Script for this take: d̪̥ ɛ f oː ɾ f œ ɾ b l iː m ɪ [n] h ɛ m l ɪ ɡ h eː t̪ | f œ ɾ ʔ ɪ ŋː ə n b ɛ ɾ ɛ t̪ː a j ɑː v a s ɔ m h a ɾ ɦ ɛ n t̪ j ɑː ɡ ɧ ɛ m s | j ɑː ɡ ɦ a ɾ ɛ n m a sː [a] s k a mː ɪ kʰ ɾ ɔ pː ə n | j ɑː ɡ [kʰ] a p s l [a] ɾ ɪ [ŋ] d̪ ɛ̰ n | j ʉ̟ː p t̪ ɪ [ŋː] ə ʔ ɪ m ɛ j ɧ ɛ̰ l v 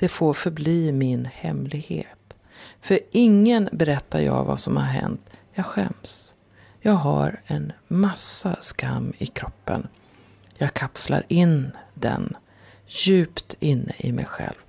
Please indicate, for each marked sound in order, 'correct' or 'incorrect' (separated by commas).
correct, correct, correct, correct, incorrect, incorrect